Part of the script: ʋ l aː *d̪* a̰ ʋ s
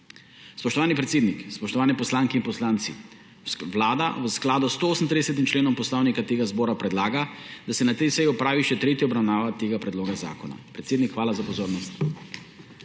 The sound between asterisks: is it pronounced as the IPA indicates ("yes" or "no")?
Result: yes